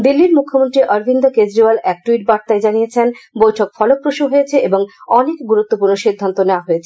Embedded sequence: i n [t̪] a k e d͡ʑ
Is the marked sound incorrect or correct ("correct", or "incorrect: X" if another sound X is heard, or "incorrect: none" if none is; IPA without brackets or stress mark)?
incorrect: d̪